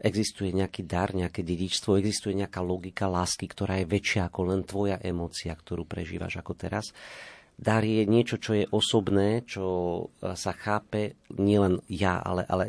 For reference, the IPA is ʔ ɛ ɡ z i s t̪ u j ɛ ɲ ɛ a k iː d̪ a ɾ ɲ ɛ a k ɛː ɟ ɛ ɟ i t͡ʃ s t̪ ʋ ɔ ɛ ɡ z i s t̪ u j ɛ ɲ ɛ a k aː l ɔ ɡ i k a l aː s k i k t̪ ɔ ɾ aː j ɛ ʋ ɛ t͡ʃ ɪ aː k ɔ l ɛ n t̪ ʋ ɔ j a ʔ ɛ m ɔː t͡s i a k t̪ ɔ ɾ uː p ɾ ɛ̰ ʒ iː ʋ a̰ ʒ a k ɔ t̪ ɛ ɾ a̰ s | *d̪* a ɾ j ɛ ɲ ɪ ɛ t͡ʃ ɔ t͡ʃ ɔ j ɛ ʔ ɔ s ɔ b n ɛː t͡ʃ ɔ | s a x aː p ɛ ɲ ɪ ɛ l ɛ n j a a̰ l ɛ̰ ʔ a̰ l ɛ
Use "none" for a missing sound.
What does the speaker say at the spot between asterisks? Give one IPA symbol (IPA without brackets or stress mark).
d̪